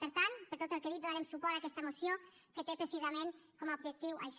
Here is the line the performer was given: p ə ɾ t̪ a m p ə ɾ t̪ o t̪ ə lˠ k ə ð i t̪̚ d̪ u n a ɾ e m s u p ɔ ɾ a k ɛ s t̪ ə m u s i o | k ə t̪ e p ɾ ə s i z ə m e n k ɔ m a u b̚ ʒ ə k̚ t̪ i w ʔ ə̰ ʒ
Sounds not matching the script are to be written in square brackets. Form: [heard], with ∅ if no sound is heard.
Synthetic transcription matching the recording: p ə ɾ t̪ a [n] p ə ɾ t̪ o t̪ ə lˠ k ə ð i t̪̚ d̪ u n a ɾ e m s u p ɔ ɾ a k ɛ s t̪ ə m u s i o | k ə t̪ e p ɾ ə s i z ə m e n k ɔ m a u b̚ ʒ ə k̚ t̪ i w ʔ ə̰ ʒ